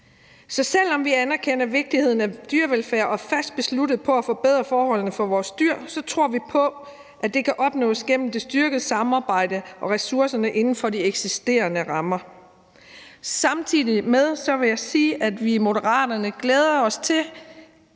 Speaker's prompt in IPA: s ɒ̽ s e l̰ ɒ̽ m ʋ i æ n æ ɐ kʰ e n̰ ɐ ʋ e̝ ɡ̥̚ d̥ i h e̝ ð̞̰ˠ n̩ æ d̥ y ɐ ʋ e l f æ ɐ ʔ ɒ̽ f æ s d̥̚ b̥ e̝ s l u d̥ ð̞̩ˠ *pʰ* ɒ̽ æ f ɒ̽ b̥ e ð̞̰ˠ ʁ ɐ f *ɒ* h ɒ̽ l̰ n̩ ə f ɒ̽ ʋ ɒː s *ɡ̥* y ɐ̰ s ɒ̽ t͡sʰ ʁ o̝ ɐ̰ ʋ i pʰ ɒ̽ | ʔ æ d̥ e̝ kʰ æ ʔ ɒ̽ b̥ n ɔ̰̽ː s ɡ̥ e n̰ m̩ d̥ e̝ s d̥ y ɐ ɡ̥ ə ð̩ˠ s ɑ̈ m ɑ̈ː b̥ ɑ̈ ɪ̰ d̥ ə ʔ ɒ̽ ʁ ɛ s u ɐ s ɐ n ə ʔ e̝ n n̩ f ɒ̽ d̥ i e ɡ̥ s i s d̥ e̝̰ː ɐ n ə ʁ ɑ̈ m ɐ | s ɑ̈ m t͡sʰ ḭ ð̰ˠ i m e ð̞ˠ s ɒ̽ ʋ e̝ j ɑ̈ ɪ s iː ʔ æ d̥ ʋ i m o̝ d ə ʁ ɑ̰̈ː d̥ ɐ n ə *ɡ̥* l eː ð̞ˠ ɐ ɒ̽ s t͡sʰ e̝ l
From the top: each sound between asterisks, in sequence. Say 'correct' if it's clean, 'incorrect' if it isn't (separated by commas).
correct, incorrect, incorrect, correct